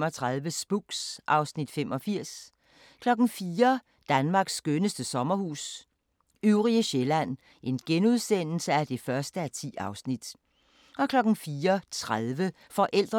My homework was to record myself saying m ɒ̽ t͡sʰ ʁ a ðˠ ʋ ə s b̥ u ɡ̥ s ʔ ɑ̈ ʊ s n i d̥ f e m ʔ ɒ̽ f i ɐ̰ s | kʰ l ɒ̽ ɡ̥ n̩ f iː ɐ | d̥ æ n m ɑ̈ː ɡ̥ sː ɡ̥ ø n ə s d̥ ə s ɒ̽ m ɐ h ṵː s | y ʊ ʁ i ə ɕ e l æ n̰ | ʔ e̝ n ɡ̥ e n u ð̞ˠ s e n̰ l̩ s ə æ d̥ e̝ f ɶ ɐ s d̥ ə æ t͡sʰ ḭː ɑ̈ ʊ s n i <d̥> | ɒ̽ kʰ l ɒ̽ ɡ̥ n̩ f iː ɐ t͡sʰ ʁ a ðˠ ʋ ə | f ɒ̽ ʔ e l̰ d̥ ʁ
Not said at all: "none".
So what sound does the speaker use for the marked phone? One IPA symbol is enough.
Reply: d̥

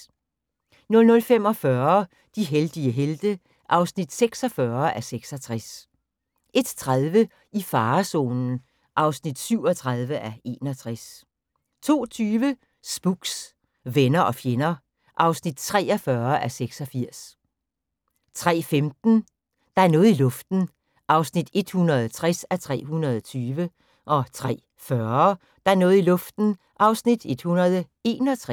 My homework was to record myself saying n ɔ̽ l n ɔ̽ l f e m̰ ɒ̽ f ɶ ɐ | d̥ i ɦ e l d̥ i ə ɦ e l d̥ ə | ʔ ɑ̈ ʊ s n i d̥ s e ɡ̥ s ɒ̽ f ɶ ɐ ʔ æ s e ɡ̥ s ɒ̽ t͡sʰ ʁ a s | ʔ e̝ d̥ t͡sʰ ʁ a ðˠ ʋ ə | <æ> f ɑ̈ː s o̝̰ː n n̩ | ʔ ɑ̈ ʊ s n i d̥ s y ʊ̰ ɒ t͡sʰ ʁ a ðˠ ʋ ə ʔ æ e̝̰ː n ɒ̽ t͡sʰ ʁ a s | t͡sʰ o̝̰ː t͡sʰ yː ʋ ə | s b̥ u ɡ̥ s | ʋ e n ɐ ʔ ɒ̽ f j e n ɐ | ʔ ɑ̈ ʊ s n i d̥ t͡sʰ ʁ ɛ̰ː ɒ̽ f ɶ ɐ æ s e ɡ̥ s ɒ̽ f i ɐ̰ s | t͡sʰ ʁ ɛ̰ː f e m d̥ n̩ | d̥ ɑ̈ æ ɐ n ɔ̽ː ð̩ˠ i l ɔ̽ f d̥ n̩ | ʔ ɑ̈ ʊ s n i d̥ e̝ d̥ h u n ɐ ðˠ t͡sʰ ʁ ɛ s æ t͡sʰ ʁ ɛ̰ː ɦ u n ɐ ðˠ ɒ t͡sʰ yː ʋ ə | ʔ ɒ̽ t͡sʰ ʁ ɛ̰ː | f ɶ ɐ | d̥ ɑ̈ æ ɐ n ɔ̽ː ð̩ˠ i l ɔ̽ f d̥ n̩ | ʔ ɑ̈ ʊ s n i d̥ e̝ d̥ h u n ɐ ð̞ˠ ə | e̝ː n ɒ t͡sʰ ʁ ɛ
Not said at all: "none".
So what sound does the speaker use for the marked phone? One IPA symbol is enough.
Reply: i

